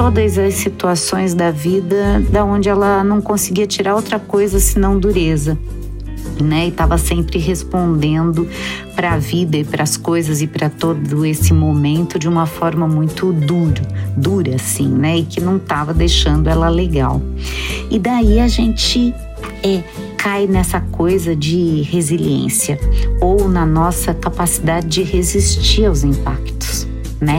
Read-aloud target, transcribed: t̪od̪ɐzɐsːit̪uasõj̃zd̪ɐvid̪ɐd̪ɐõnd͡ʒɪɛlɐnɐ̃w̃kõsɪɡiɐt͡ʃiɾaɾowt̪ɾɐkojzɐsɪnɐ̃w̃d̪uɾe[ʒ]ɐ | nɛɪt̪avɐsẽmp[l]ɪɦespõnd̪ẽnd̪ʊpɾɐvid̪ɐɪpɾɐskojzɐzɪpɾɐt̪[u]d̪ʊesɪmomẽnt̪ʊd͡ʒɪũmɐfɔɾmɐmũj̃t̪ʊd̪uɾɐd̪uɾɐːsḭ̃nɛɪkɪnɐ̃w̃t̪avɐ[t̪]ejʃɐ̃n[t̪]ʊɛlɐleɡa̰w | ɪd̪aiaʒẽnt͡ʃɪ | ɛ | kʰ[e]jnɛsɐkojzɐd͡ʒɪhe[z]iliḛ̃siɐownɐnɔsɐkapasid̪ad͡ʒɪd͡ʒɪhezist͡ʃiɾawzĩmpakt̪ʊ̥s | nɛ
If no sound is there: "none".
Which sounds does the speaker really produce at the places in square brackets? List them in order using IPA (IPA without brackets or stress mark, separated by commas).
z, ɾ, o, d̪, d̪, a, z